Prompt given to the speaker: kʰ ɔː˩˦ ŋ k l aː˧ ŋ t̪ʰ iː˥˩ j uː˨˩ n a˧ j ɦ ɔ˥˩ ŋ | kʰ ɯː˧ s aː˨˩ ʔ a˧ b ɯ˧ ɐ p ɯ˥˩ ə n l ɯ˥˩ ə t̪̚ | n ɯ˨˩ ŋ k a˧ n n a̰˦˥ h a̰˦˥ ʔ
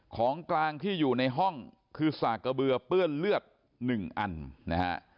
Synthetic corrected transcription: kʰ ɔː˩˦ ŋ k l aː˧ ŋ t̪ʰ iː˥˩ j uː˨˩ n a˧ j ɦ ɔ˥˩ ŋ | kʰ ɯː˧ s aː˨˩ k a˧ b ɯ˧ ɐ p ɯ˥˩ ə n l ɯ˥˩ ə t̪̚ | n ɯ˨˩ ŋ ʔ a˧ n n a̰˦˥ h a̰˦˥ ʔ